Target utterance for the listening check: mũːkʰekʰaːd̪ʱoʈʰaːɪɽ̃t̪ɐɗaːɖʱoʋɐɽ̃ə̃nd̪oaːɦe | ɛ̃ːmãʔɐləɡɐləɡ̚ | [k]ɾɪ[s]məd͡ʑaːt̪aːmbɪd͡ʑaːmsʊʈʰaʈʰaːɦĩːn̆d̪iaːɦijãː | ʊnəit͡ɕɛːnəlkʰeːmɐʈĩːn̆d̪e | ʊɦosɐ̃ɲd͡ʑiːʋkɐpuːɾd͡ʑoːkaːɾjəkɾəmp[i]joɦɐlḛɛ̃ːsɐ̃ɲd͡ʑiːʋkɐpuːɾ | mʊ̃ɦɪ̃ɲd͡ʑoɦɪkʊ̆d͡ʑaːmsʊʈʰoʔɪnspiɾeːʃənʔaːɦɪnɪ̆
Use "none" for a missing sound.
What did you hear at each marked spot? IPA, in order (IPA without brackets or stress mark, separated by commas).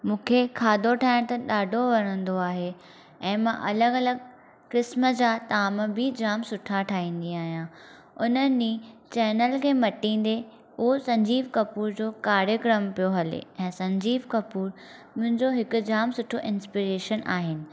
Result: k, s, i